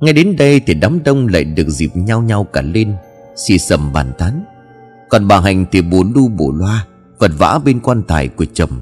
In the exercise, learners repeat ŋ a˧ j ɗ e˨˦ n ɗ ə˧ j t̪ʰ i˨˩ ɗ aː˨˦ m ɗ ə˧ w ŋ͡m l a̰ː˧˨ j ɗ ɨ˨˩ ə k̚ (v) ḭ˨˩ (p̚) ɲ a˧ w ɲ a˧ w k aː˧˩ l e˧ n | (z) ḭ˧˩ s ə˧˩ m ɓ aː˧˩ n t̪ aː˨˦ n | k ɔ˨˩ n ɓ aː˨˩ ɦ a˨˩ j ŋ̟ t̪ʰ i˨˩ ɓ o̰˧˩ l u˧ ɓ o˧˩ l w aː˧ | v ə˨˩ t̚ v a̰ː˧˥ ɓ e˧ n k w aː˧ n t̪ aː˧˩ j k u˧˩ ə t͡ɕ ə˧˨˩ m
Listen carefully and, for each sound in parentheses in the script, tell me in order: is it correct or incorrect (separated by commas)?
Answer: incorrect, correct, incorrect